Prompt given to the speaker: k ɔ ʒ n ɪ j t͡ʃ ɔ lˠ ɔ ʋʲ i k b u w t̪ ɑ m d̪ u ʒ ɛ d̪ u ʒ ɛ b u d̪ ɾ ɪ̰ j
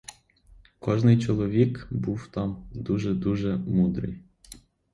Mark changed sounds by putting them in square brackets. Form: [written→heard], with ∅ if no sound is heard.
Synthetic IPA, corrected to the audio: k ɔ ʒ n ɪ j t͡ʃ ɔ lˠ ɔ ʋʲ i k b u w t̪ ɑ m d̪ u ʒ ɛ d̪ u ʒ ɛ [b→m] u d̪ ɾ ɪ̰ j